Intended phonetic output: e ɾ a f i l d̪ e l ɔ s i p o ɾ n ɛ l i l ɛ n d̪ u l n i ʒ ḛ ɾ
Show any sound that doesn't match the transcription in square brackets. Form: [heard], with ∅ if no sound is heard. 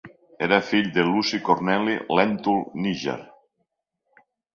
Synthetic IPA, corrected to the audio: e ɾ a f i [ʎ] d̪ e l [u] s i [k] o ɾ n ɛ l i l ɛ n [t̪] u l n i ʒ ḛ ɾ